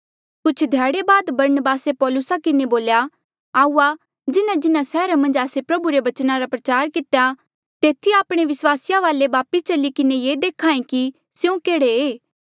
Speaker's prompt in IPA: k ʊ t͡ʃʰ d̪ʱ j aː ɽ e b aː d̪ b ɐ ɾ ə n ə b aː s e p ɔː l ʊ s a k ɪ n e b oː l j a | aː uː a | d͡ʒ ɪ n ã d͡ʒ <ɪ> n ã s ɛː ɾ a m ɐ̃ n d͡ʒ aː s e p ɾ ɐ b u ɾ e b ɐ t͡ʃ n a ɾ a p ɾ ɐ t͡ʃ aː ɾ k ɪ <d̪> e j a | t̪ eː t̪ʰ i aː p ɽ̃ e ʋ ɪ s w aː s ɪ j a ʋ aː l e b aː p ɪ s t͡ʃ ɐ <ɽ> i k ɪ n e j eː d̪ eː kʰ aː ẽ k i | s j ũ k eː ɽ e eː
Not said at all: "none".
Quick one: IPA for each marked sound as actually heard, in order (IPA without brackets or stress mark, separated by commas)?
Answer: ɪ, t̪, l